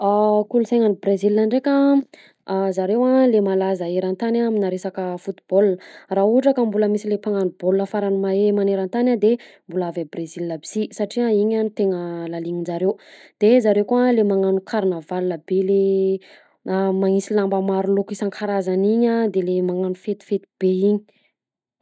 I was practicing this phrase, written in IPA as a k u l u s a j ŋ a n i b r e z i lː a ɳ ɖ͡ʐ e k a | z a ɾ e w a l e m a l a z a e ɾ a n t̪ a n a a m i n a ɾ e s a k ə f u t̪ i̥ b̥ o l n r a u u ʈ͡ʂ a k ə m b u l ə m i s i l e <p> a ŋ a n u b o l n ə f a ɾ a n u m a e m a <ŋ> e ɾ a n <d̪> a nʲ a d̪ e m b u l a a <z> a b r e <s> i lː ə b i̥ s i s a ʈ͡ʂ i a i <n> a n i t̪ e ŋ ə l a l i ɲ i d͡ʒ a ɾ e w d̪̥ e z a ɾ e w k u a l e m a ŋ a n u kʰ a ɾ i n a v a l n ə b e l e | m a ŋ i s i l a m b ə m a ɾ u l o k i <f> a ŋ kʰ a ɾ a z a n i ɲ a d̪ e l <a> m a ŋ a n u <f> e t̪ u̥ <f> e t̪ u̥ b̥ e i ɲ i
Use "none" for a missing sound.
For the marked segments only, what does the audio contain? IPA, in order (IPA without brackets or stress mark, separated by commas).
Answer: p, n, t̪, v, z, ɲ, s, e, f, f